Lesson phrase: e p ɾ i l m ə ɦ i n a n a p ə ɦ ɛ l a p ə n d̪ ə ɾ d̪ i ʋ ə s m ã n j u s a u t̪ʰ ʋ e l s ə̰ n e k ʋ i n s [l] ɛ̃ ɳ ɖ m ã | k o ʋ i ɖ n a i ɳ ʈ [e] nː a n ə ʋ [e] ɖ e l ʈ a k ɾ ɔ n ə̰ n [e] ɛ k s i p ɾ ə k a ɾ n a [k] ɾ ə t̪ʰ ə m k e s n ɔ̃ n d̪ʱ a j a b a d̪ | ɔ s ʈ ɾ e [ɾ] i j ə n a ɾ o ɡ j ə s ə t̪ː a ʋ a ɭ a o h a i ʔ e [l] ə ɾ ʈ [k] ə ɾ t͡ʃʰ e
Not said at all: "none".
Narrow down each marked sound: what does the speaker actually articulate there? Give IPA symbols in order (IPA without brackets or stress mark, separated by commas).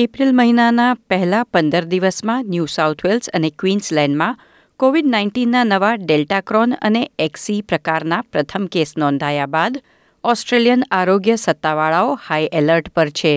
l, i, a, e, p, l, l, p